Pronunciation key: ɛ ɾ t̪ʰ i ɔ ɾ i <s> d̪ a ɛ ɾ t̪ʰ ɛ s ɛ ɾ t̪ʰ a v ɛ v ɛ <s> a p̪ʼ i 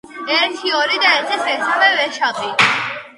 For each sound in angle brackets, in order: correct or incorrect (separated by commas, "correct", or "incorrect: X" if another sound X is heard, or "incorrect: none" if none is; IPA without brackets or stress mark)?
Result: incorrect: none, incorrect: ʃ